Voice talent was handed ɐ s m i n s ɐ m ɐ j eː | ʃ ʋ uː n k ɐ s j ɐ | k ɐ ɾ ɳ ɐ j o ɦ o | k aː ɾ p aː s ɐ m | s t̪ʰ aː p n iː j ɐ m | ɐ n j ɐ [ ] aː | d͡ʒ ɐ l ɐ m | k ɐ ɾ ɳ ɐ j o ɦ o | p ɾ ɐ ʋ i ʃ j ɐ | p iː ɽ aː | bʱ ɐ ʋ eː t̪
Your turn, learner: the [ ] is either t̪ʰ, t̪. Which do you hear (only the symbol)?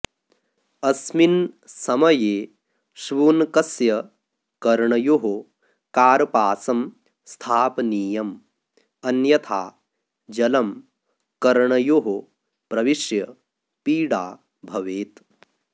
t̪ʰ